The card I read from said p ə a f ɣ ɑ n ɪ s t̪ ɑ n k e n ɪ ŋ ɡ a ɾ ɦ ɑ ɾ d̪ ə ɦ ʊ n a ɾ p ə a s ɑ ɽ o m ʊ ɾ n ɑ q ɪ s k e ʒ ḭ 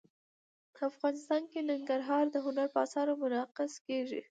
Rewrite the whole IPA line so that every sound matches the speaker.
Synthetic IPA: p ə a f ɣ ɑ n ɪ s t̪ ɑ n k e n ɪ ŋ ɡ a ɾ ɦ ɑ ɾ d̪ ə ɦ ʊ n a ɾ p ə a s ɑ ɾ o m ʊ n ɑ q ɪ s k e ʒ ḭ